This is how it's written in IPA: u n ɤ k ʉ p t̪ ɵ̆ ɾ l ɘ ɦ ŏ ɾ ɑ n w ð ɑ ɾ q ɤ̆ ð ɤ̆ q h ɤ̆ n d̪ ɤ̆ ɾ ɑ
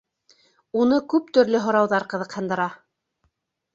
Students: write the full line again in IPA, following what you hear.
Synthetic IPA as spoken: u n ɤ k ʉ p t̪ ɵ̆ ɾ l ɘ ɦ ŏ ɾ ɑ w ð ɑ ɾ q ɤ̆ ð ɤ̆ q h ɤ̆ n d̪ ɤ̆ ɾ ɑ